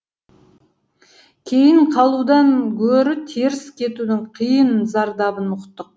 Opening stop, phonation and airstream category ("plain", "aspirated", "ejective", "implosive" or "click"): aspirated